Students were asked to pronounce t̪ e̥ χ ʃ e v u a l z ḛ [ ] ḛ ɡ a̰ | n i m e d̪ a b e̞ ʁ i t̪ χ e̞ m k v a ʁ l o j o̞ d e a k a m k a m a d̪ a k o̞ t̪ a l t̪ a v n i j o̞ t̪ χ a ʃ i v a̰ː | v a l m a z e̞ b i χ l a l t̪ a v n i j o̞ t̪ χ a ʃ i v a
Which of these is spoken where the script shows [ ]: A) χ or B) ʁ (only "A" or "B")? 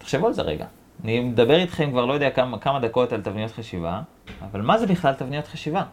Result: B